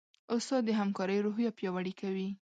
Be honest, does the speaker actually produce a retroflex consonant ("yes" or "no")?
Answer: yes